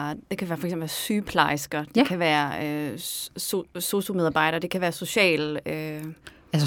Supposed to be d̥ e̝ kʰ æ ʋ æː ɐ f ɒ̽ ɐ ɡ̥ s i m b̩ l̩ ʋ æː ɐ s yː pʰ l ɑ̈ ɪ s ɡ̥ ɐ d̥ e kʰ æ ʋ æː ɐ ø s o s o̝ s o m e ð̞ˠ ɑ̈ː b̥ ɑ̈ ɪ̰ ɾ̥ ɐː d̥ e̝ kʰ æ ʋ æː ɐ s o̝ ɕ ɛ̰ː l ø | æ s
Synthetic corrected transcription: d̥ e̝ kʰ æ ʋ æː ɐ f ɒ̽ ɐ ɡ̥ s e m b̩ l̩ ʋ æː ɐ s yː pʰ l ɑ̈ ɪ s ɡ̥ ɐ d̥ e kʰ æ ʋ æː ɐ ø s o s o̝ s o m e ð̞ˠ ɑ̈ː b̥ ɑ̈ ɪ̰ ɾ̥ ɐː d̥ e̝ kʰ æ ʋ æː ɐ s o̝ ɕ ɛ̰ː l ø | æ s